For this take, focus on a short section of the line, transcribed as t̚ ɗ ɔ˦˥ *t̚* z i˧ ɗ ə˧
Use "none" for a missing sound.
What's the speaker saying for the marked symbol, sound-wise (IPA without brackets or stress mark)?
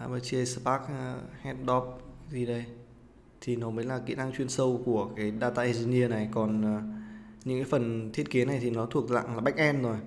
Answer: p̚